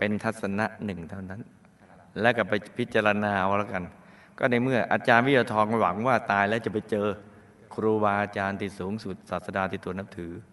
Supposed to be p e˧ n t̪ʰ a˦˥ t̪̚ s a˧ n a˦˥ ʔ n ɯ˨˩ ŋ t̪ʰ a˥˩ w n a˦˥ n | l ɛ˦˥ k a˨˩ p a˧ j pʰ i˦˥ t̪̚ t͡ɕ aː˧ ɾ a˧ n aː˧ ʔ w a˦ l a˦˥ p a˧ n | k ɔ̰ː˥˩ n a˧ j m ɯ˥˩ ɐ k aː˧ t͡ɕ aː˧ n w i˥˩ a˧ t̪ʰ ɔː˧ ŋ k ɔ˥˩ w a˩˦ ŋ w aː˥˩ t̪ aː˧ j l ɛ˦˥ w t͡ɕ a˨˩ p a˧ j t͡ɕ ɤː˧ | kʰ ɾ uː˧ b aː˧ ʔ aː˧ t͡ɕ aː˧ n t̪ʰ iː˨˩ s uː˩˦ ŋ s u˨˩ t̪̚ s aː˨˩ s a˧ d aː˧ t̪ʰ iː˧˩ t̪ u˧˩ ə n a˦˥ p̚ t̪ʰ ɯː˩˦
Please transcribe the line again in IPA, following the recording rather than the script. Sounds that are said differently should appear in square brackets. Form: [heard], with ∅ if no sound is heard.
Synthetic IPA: p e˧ n t̪ʰ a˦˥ t̪̚ s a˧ n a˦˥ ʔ n ɯ˨˩ ŋ t̪ʰ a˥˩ w n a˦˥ n | l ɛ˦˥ k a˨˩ p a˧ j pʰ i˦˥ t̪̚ t͡ɕ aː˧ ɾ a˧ n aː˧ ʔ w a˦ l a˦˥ [k] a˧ n | k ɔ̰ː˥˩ n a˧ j m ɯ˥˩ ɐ [ʔ] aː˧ t͡ɕ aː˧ n w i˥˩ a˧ t̪ʰ ɔː˧ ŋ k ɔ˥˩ w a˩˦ ŋ w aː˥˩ t̪ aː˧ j l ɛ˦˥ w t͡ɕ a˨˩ p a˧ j t͡ɕ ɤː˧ | kʰ ɾ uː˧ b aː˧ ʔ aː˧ t͡ɕ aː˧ n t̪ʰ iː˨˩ s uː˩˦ ŋ s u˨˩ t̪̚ s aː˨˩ s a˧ d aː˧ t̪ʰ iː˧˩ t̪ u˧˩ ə n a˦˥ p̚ t̪ʰ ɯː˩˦